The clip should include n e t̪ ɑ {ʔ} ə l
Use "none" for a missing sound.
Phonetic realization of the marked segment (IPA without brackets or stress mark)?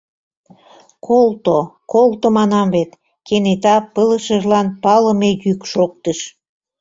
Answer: p